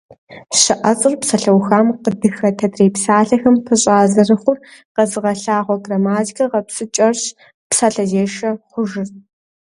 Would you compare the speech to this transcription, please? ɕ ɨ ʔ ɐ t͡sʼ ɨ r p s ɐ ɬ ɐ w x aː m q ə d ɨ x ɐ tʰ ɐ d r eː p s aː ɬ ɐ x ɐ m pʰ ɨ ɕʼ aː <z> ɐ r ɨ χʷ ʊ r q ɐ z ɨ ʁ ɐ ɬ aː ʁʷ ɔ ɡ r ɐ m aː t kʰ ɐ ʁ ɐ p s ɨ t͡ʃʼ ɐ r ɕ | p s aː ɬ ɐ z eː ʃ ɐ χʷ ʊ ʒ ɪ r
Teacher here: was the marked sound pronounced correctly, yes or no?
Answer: yes